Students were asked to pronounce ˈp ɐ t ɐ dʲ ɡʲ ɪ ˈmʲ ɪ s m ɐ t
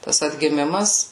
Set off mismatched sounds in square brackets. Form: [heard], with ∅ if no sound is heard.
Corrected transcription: [ˈt] ɐ [s] ɐ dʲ ɡʲ ɪ ˈmʲ ɪ [∅] m ɐ [s]